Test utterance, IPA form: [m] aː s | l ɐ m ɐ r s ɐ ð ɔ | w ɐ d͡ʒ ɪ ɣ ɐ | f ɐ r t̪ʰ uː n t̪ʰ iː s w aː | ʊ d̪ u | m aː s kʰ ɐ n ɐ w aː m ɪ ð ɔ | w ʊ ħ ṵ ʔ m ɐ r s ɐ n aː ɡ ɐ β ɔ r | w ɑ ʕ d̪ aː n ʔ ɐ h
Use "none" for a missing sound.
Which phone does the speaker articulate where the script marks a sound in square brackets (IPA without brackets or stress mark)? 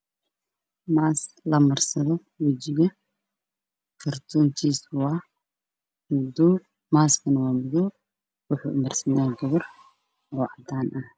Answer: m